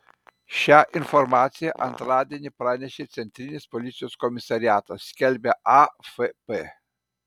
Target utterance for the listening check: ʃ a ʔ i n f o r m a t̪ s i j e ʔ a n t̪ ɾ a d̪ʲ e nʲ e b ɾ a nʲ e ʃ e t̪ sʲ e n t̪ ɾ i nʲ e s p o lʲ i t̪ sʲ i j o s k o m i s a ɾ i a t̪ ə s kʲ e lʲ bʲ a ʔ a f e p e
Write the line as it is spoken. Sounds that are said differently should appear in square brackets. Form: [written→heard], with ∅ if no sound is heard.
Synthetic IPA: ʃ a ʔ i n f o r m a t̪ s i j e ʔ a n t̪ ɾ a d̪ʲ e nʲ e [b→p] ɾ a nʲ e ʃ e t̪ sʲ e n t̪ ɾ i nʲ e s p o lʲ i t̪ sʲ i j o s k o m i s a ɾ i a t̪ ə s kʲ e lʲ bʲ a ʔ a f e p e